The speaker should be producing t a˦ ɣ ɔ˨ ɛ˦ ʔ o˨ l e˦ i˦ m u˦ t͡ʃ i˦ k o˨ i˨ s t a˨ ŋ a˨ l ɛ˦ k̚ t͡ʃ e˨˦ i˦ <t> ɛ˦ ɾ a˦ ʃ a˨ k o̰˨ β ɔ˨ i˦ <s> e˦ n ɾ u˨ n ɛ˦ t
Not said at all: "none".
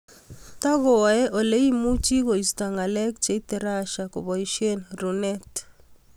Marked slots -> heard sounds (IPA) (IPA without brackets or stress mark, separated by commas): t, ʃ